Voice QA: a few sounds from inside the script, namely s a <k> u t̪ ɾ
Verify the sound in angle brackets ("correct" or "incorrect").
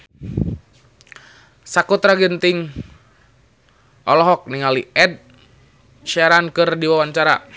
correct